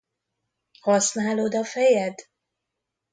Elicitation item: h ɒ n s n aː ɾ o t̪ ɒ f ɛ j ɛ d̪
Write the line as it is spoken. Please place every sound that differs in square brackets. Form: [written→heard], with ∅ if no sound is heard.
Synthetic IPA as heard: h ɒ [n→∅] s n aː [ɾ→l] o [t̪→d̪] ɒ f ɛ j ɛ d̪